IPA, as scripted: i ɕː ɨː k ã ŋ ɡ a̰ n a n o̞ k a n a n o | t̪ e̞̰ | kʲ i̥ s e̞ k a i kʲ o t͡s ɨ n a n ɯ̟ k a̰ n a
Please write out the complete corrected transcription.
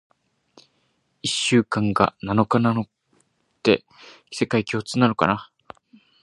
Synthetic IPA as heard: i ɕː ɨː k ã ŋ ɡ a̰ n a n o̞ k a n a n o | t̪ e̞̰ | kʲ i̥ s e̞ k a i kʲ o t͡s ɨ n a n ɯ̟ k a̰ n a